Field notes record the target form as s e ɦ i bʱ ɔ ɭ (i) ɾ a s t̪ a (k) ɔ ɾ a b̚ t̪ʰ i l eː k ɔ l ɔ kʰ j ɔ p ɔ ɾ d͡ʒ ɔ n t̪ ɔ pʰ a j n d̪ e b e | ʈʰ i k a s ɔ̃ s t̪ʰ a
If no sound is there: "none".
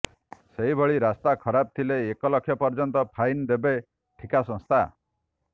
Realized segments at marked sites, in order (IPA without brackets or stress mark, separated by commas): i, kʰ